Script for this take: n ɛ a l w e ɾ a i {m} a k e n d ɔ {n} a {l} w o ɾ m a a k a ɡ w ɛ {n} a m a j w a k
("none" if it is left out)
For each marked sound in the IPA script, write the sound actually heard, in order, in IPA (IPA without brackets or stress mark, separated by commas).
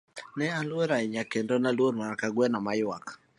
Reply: ɲ, n, l, n